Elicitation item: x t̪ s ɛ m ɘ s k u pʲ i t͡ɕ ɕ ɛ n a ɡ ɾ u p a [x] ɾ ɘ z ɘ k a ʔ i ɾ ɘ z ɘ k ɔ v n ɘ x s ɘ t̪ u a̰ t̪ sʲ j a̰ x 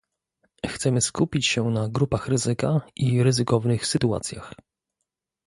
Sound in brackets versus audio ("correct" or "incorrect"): correct